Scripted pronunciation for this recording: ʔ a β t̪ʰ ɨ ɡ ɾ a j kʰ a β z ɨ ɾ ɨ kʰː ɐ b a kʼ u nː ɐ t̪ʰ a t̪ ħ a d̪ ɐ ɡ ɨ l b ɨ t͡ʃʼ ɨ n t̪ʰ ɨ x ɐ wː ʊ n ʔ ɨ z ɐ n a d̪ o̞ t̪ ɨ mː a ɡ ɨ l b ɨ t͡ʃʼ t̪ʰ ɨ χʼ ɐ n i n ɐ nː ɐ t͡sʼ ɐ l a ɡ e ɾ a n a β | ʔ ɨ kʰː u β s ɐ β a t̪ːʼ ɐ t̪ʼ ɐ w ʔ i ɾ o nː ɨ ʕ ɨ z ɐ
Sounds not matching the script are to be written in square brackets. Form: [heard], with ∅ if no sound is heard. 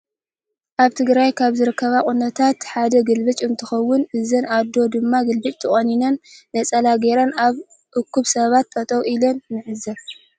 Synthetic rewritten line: ʔ a β t̪ʰ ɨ ɡ ɾ a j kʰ a β z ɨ ɾ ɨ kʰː ɐ [β] a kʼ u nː ɐ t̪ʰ a t̪ ħ a d̪ ɐ ɡ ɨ l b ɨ t͡ʃʼ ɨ n t̪ʰ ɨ x ɐ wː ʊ n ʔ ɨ z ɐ n a d̪ o̞ [d̪] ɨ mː a ɡ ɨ l b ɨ t͡ʃʼ t̪ʰ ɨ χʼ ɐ n i n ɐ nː ɐ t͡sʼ ɐ l a ɡ e ɾ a n a β | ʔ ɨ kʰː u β s ɐ β a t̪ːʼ ɐ t̪ʼ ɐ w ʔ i [l] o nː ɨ ʕ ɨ z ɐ